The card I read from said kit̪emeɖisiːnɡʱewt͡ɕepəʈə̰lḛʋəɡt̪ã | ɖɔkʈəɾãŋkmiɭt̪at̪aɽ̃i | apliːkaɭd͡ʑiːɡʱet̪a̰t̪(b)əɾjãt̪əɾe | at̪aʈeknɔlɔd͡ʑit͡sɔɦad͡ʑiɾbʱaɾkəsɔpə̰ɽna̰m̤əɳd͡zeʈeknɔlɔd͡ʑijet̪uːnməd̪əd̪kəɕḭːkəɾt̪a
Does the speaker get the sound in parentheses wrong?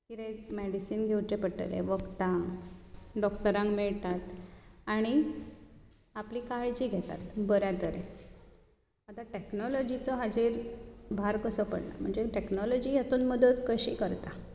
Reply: no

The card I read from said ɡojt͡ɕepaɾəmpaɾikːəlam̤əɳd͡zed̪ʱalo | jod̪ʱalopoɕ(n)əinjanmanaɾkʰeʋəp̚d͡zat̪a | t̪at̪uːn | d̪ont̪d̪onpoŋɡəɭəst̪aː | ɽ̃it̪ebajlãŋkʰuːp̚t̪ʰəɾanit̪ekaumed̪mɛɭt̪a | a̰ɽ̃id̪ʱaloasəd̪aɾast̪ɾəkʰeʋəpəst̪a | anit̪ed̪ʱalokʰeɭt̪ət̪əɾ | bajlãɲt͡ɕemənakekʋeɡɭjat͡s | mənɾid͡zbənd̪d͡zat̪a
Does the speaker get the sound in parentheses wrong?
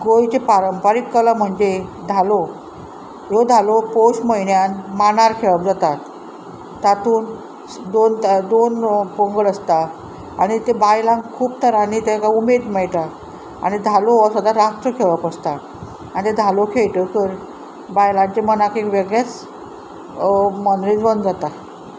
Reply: yes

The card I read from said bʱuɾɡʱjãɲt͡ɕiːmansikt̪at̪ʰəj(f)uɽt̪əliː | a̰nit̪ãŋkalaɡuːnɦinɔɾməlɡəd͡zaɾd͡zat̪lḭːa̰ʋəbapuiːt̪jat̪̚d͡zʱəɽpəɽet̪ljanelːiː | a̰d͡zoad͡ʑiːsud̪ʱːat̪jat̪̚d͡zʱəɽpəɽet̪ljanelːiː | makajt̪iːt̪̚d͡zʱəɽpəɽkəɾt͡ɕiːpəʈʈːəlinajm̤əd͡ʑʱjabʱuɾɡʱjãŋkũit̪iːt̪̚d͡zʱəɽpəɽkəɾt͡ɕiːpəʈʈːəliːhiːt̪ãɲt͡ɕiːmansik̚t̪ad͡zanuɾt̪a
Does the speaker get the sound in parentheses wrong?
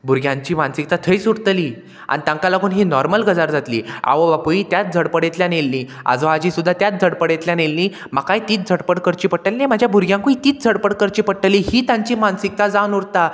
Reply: yes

